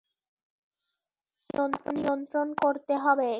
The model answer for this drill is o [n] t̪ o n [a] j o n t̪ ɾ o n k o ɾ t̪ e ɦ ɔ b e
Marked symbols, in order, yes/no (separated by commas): yes, no